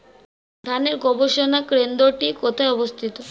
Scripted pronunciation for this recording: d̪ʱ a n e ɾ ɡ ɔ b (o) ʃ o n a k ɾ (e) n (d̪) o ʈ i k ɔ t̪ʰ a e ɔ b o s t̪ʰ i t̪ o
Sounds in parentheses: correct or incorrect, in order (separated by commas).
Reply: correct, correct, correct